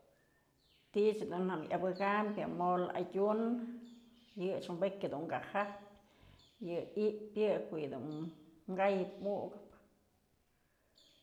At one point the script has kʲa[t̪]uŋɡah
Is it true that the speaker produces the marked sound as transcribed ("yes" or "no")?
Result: no